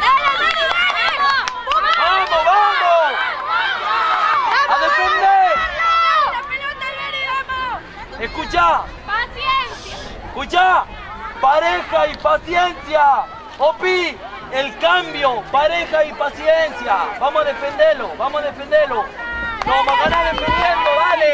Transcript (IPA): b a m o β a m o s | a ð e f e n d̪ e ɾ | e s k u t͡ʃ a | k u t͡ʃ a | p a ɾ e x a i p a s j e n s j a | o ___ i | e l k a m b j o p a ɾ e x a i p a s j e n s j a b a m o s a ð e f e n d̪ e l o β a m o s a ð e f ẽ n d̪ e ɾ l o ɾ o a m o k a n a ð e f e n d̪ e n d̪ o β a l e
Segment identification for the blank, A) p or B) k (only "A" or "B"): A